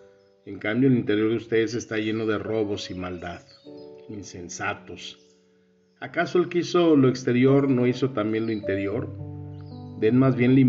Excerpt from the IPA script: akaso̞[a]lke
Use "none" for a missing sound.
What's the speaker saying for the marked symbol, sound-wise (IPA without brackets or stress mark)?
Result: e